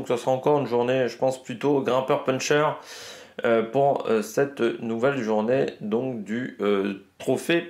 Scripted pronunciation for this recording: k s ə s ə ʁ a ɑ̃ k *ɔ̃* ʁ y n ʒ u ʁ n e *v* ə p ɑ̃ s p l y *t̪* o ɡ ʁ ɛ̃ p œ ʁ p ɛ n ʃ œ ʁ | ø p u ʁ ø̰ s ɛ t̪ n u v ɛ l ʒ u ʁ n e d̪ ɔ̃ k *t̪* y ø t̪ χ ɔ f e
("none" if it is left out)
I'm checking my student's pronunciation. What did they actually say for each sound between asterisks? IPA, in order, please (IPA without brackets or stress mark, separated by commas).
ɔ, ʒ, t̪, d̪